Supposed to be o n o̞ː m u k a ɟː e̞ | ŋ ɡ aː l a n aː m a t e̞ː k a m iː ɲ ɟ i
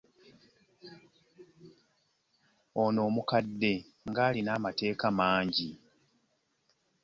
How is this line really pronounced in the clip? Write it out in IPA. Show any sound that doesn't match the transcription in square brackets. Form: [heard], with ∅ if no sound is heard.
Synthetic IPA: o n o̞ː m u k a [dː] e̞ | ŋ ɡ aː l [i] n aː m a t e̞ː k a m [aː] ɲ ɟ i